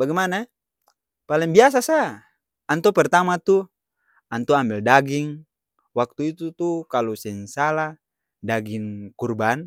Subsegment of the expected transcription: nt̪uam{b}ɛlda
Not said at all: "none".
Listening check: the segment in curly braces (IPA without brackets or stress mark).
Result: b